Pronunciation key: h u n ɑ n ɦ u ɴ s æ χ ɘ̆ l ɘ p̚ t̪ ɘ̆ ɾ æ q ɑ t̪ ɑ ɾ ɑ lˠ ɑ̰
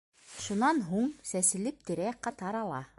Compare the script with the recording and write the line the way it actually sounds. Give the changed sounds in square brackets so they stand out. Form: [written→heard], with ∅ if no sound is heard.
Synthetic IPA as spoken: [h→ʃ] u n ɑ n ɦ u ɴ s æ [χ→s] ɘ̆ l ɘ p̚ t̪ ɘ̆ ɾ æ q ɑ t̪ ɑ ɾ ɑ lˠ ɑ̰